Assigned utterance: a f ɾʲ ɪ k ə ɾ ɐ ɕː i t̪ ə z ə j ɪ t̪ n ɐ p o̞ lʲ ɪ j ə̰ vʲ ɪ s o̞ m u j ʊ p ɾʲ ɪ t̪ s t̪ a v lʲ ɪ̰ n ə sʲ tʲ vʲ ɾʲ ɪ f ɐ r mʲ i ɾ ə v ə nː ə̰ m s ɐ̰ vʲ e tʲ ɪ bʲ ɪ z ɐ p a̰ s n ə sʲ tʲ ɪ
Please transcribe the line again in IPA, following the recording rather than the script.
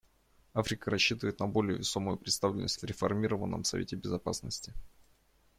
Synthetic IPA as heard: a f ɾʲ ɪ k ə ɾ ɐ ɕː i t̪ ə v ə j ɪ t̪ n ɐ b o̞ lʲ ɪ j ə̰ vʲ ɪ s o̞ m ʊ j ʊ p ɾʲ ɪ t̪ s t̪ a v lʲ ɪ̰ n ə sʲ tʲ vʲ ɾʲ ɪ f ɐ r mʲ i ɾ ə v ə nː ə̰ m s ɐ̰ vʲ e tʲ ɪ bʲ ɪ z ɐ p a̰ s n ə sʲ tʲ ɪ